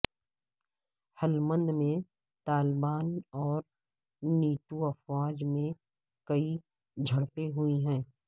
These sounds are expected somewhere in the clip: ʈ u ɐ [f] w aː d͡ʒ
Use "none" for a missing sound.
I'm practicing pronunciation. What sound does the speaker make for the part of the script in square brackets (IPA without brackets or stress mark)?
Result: f